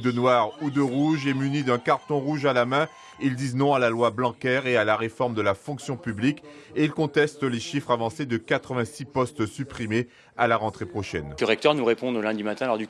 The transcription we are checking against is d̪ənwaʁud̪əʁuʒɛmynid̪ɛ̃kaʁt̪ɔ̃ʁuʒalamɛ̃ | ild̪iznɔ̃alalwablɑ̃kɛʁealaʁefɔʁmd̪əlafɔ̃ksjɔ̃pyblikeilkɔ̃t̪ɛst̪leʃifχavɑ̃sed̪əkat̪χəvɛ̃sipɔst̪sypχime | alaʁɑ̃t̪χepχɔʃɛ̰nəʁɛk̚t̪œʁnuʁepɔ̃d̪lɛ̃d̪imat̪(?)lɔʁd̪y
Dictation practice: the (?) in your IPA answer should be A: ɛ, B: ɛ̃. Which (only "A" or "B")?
B